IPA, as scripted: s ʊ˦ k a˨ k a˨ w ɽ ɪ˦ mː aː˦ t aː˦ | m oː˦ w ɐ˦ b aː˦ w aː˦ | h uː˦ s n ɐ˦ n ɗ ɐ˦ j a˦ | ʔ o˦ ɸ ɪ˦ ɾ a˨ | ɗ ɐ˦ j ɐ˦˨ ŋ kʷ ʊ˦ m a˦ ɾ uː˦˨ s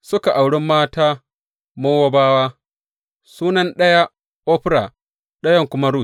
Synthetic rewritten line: s ʊ˦ k a˨ ʔ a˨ w ɽ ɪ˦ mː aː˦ t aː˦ | m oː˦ w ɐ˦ b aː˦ w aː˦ | s uː˦ n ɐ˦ n ɗ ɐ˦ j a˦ | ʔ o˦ ɸ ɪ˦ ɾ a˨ | ɗ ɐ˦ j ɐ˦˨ ŋ kʷ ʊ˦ m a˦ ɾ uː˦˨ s